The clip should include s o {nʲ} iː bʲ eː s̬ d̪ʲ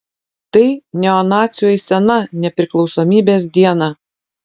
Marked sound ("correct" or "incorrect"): incorrect